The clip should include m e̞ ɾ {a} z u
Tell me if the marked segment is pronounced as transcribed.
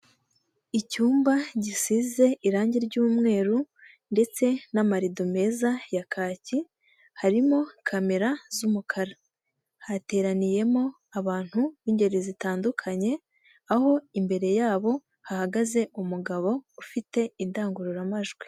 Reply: yes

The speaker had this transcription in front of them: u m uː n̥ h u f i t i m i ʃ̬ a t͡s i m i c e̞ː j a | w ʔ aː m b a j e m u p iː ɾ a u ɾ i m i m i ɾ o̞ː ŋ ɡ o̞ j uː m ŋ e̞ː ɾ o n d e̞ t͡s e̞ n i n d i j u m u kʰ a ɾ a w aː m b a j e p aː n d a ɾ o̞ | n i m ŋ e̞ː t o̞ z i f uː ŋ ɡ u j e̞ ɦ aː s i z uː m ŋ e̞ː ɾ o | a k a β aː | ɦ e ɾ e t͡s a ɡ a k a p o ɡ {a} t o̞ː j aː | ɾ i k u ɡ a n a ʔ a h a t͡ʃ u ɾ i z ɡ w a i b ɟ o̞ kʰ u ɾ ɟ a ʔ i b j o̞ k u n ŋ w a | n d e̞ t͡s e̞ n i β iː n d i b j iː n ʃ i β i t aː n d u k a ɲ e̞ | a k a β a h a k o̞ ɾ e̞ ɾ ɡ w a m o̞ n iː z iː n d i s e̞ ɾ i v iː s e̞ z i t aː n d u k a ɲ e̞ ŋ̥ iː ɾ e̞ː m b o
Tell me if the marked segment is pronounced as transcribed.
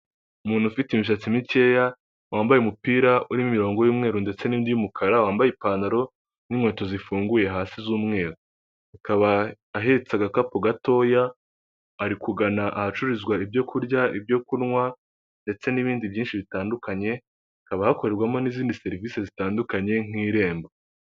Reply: yes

